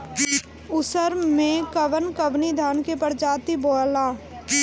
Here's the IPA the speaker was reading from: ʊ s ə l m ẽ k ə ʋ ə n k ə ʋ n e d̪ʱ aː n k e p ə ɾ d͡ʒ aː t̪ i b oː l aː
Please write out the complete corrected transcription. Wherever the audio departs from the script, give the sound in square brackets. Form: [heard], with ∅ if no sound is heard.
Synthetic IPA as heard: ʊ s ə [ɾ] m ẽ k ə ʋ ə n k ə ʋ n [i] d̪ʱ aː n k e p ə ɾ d͡ʒ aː t̪ i b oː l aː